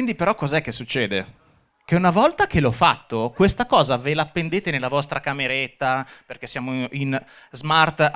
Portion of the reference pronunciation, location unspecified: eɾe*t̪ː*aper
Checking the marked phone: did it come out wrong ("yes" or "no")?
no